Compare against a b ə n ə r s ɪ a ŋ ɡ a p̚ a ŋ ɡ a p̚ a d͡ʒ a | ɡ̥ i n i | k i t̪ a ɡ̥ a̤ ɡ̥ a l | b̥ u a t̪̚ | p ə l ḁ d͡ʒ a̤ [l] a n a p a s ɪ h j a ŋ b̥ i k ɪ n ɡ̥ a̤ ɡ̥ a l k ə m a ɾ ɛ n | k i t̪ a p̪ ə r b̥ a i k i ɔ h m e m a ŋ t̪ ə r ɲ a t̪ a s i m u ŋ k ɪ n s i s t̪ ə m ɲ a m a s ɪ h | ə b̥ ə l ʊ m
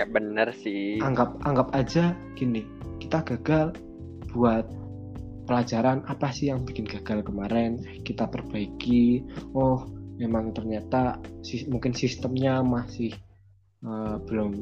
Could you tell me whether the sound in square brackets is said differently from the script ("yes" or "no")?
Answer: yes